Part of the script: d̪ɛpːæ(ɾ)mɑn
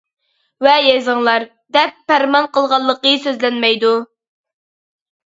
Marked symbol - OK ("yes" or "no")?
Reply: yes